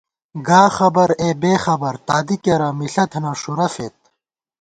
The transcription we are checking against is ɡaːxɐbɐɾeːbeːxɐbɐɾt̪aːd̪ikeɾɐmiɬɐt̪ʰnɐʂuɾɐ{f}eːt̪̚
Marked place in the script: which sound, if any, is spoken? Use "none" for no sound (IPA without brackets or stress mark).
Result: f